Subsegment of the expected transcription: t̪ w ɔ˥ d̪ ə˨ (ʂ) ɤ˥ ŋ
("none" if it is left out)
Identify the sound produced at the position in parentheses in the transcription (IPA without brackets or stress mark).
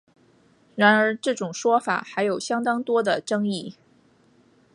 ʈ͡ʂ